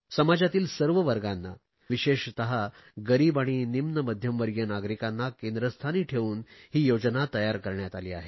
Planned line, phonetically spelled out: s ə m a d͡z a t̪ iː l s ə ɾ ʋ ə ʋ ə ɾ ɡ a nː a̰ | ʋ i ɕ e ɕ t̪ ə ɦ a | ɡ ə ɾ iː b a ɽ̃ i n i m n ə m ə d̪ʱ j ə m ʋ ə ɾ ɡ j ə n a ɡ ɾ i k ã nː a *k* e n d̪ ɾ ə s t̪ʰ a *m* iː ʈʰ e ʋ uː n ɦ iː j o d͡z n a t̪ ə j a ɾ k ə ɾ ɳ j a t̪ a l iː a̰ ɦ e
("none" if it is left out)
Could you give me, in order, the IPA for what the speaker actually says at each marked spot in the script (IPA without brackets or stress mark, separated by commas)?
k, n